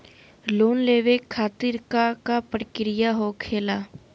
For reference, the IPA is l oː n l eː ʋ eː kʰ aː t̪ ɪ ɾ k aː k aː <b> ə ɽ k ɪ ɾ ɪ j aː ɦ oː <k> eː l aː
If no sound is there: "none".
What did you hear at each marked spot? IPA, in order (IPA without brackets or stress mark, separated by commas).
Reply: p, kʰ